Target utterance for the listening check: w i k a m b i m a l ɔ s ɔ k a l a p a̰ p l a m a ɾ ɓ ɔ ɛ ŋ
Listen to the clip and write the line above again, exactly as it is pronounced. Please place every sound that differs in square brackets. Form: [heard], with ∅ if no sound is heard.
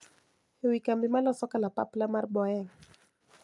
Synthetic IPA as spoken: w i k a m b i m a l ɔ s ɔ k a l a p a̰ p l a m a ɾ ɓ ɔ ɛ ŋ